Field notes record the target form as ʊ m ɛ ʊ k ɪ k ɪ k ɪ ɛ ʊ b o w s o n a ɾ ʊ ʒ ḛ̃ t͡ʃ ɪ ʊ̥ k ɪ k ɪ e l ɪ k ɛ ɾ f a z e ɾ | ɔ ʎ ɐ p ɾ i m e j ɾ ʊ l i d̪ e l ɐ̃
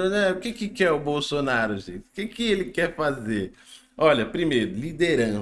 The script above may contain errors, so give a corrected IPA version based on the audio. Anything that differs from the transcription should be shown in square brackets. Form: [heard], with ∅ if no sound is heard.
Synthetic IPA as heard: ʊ [n] ɛ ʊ k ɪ k ɪ k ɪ ɛ ʊ b o w s o n a ɾ ʊ ʒ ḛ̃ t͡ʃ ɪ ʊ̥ k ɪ k ɪ e l ɪ k ɛ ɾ f a z e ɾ | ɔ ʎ ɐ p ɾ i m e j ɾ ʊ l i d̪ e [ɾ] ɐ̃